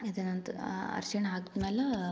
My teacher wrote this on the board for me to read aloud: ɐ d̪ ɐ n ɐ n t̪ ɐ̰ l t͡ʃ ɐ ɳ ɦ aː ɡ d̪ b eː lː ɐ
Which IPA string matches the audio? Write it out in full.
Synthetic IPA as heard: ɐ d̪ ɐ n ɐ n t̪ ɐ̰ ɾ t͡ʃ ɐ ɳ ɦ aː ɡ d̪ m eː l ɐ